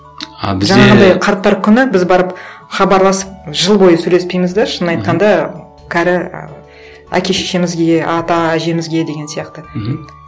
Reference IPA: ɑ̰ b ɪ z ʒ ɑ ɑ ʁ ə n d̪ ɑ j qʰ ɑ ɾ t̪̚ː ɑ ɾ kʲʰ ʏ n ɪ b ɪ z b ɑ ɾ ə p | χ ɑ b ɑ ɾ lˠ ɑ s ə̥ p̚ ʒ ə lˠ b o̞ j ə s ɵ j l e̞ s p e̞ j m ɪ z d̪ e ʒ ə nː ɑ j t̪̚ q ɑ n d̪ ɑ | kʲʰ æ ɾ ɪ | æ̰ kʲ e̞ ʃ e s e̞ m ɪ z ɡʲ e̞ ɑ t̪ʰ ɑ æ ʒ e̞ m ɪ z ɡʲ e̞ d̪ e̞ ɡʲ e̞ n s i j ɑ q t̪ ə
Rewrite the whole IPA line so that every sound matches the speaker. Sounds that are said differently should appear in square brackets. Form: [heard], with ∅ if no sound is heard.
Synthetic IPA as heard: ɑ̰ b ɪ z ʒ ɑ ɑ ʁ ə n d̪ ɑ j qʰ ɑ ɾ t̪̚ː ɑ ɾ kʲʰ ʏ n ɪ b ɪ z b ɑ ɾ ə p | χ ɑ b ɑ ɾ lˠ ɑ s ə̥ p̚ ʒ ə lˠ b o̞ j ə s ɵ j l e̞ s p e̞ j m ɪ z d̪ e [ʃ] ə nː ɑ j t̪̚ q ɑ n d̪ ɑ | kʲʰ æ ɾ ɪ | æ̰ kʲ e̞ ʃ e [ʃ] e̞ m ɪ z ɡʲ e̞ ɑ [t̪] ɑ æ ʒ e̞ m ɪ z ɡʲ e̞ d̪ e̞ ɡʲ e̞ n s i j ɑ q t̪ ə

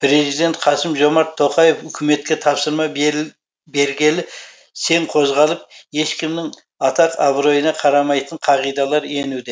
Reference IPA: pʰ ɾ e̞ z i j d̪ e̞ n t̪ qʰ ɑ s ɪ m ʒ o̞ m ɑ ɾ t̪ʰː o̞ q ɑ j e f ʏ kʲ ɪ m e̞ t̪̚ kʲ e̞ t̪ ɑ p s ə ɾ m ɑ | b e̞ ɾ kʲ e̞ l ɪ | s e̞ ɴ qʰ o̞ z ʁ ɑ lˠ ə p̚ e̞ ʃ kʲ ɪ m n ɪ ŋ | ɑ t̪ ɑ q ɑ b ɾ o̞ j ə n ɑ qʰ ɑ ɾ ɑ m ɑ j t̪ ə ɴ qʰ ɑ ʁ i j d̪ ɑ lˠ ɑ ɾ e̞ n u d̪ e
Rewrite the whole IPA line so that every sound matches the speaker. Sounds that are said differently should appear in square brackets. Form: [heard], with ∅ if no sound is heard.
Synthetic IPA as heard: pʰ ɾ e̞ z i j d̪ e̞ n t̪ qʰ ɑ s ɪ m ʒ o̞ m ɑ ɾ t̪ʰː o̞ q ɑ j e f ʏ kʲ ɪ m e̞ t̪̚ kʲ e̞ [t̪ʰ] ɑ p s ə ɾ m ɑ | b e̞ ɾ [ɡʲ] e̞ l ɪ | s e̞ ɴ qʰ o̞ z ʁ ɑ lˠ ə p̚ e̞ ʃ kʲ ɪ m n ɪ ŋ | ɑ t̪ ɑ q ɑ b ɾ o̞ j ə n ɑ qʰ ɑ ɾ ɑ m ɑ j t̪ ə ɴ qʰ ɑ ʁ i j d̪ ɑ lˠ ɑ ɾ e̞ n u d̪ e

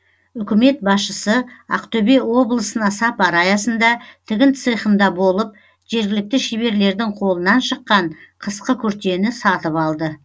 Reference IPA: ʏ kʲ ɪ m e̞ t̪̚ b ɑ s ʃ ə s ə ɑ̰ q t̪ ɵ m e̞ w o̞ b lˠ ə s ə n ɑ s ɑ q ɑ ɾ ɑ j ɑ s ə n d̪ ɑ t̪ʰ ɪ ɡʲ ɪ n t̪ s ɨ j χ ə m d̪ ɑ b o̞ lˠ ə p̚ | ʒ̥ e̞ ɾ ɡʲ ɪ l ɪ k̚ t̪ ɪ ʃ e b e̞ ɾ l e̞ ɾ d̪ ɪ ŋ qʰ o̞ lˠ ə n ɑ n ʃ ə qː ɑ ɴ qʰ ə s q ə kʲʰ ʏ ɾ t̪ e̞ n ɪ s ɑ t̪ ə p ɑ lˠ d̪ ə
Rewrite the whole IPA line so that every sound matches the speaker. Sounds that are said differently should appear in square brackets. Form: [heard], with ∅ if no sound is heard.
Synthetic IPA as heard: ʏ kʲ ɪ m e̞ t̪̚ b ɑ s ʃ ə s ə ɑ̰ q t̪ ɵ [b] e̞ w o̞ b lˠ ə s ə n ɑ s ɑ [p] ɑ ɾ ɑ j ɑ s ə n d̪ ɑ t̪ʰ ɪ ɡʲ ɪ n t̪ s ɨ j χ ə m d̪ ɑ b o̞ lˠ ə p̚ | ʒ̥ e̞ ɾ ɡʲ ɪ l ɪ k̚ t̪ ɪ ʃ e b e̞ ɾ l e̞ ɾ d̪ ɪ ŋ qʰ o̞ lˠ ə n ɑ n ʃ ə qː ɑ ɴ qʰ ə s q ə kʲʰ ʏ ɾ t̪ e̞ n ɪ s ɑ t̪ ə p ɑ lˠ d̪ ə

